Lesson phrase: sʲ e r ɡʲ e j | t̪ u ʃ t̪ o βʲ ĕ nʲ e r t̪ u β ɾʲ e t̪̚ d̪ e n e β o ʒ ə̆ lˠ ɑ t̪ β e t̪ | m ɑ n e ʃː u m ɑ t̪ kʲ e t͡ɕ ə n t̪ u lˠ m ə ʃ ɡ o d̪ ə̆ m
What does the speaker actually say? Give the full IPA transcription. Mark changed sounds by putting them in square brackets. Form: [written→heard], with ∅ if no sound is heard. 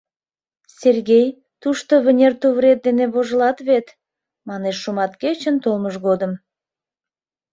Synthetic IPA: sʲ e r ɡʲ e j | t̪ u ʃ t̪ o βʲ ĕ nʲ e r t̪ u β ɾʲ e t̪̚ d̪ e n e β o ʒ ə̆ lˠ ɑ t̪ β e t̪ | m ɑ n e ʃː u m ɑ t̪ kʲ e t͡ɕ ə n t̪ [u→o] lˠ m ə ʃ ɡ o d̪ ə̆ m